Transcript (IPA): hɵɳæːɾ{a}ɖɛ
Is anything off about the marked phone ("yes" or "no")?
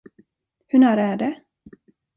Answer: yes